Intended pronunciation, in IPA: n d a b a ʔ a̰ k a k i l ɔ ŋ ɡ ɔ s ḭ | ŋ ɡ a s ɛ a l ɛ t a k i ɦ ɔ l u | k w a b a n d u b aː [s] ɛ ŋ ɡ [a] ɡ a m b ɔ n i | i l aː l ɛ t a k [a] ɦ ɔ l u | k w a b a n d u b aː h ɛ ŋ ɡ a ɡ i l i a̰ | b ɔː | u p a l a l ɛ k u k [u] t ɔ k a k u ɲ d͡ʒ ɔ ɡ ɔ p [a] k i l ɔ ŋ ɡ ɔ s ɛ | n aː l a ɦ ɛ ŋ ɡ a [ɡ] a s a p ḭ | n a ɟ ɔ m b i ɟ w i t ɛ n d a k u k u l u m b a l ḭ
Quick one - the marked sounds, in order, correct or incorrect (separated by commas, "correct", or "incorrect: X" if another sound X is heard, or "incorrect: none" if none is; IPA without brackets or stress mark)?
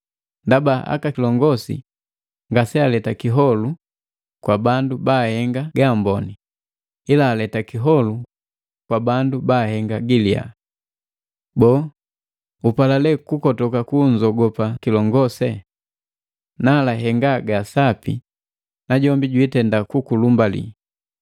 incorrect: h, correct, incorrect: i, incorrect: ɔ, correct, correct